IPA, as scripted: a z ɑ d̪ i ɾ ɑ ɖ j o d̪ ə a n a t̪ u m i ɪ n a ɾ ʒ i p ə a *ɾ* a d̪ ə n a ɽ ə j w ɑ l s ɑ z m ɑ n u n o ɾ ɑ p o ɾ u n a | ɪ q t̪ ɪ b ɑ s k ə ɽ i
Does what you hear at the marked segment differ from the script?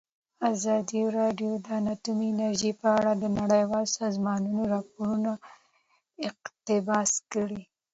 yes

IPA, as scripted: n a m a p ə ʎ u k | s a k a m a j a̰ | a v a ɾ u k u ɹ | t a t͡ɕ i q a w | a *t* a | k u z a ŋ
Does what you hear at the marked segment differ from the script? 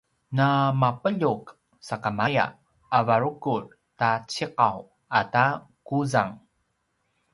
no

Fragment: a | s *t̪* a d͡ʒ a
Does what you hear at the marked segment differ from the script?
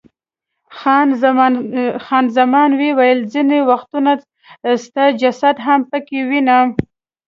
no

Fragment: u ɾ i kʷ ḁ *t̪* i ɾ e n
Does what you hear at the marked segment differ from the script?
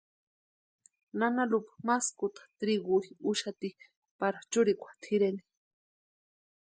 yes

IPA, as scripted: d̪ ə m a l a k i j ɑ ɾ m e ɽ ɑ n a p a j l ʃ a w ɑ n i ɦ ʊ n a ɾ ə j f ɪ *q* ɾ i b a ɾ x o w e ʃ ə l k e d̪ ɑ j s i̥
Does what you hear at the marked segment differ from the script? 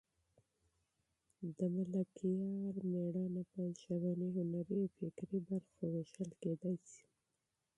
yes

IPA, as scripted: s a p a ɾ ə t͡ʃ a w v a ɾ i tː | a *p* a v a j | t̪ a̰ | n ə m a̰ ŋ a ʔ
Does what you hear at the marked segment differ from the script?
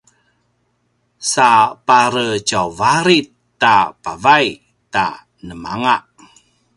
no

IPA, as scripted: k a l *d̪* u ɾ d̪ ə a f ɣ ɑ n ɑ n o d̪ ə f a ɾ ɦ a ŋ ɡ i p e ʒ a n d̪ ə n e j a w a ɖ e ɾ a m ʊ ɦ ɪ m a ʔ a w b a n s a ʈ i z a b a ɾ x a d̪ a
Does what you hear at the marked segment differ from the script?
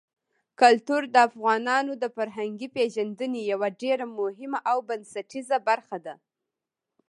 yes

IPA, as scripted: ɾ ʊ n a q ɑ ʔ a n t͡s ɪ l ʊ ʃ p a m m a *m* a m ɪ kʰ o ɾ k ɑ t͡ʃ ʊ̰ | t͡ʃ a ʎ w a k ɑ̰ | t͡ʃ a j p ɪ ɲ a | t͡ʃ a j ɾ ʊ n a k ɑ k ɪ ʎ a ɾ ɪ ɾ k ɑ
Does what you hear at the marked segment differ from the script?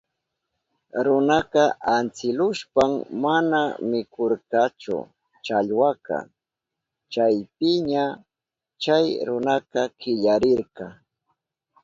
yes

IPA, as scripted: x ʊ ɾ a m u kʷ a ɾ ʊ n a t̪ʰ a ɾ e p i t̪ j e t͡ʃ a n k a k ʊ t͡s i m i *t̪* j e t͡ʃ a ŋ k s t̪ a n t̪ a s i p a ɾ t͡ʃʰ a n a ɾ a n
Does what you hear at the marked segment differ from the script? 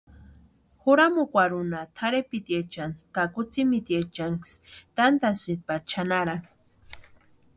no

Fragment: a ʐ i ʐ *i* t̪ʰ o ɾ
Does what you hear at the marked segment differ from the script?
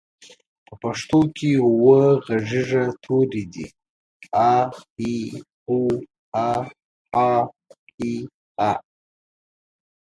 yes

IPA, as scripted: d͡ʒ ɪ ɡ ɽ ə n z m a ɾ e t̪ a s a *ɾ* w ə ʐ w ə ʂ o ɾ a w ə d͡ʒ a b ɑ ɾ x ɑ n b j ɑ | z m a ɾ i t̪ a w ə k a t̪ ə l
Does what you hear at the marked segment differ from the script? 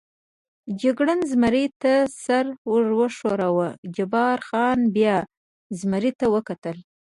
no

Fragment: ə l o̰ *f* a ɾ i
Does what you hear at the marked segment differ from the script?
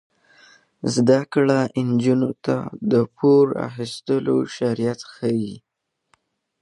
yes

